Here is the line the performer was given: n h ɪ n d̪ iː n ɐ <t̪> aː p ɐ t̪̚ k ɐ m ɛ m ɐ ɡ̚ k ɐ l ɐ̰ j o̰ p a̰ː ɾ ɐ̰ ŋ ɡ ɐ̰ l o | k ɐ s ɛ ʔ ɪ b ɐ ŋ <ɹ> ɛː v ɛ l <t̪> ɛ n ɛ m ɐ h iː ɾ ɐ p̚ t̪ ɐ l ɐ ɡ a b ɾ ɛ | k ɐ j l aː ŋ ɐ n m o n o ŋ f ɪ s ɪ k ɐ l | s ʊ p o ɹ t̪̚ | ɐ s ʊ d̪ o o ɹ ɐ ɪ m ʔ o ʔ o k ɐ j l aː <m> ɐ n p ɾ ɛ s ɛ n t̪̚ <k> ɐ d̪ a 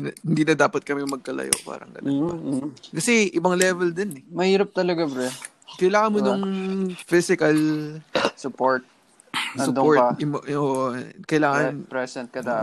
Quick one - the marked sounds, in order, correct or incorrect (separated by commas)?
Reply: incorrect, incorrect, incorrect, incorrect, correct